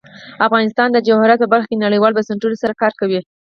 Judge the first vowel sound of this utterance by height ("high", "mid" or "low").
low